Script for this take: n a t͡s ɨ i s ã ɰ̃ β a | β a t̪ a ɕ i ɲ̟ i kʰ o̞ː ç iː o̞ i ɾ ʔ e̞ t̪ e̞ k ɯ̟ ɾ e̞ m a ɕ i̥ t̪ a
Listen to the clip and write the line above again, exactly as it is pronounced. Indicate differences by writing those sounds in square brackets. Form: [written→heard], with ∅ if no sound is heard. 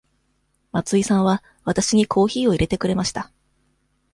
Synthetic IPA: [n→m] a t͡s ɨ i s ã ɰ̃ β a | β a t̪ a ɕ i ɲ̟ i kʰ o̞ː ç iː o̞ i ɾ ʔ e̞ t̪ e̞ k ɯ̟ ɾ e̞ m a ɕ i̥ t̪ a